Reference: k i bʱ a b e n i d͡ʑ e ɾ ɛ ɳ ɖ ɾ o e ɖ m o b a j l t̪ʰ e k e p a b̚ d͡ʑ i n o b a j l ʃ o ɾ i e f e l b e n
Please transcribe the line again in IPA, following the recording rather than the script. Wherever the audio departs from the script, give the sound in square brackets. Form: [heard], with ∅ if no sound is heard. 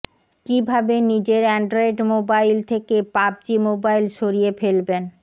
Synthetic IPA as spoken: k i bʱ a b e n i d͡ʑ e ɾ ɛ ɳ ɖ ɾ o e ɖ m o b a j l t̪ʰ e k e p a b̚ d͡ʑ i [m] o b a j l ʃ o ɾ i e f e l b e n